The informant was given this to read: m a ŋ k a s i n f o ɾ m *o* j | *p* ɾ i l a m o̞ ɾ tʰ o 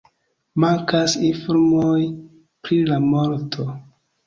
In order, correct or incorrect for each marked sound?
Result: correct, correct

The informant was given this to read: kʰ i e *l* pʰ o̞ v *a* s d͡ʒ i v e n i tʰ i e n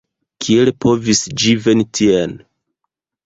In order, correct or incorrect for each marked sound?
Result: correct, incorrect

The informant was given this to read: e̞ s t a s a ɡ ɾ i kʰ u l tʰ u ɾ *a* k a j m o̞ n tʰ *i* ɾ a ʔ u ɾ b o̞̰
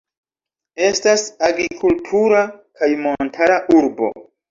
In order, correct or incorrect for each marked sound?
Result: correct, incorrect

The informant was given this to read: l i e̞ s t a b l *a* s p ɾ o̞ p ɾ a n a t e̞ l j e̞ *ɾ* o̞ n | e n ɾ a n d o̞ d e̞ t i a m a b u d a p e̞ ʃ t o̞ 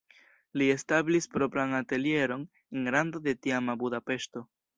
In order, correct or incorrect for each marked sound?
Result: incorrect, correct

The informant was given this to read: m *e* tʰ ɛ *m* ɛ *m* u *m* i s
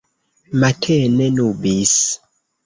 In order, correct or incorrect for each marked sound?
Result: incorrect, incorrect, incorrect, incorrect

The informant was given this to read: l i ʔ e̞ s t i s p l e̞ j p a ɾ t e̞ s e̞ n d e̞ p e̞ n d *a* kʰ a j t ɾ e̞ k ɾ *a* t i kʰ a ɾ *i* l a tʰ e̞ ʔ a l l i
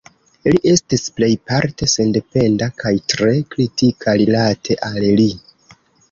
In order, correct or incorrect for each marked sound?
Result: correct, incorrect, correct

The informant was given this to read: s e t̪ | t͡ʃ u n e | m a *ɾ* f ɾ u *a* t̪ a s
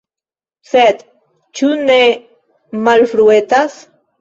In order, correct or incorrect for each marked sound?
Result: incorrect, incorrect

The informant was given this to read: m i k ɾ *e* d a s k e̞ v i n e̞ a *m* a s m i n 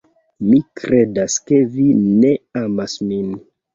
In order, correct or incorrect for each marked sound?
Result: correct, correct

